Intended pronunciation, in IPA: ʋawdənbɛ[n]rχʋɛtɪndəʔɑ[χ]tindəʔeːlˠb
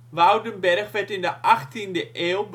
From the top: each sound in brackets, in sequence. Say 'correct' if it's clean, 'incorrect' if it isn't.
incorrect: none, correct

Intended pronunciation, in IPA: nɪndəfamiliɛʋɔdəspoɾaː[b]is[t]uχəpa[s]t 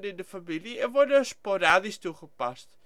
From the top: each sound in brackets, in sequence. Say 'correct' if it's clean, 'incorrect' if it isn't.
incorrect: d, correct, correct

